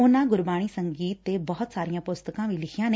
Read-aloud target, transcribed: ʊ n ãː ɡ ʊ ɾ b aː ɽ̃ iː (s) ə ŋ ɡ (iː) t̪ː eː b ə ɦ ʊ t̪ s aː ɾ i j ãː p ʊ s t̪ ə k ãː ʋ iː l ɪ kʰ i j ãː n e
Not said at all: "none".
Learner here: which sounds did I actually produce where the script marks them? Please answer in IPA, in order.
s, iː

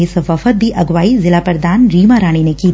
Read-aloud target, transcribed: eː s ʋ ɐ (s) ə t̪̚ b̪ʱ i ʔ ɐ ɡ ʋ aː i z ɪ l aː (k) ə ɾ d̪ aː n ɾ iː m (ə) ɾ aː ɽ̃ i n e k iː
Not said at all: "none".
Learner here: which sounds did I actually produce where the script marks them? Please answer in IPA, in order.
f, p, a

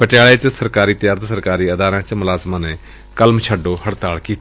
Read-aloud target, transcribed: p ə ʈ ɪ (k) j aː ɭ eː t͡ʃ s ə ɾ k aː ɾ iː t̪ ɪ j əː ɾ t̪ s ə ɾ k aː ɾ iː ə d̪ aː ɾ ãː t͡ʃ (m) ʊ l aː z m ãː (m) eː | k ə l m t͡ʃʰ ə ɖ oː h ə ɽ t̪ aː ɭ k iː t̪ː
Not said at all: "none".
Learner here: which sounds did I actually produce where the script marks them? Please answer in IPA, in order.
none, m, n

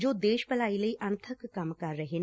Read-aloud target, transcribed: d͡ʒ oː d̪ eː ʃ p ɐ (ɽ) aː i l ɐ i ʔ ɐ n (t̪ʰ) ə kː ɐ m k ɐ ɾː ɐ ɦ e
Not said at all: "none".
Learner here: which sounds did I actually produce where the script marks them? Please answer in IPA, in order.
l, t̪ʰ

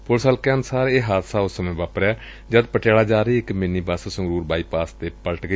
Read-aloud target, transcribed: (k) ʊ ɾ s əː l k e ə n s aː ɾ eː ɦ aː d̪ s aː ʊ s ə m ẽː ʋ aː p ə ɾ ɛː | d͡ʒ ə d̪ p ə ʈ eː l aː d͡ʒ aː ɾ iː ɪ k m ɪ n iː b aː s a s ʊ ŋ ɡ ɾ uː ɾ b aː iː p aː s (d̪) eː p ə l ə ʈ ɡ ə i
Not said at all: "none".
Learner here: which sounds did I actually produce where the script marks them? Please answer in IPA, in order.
p, t̪

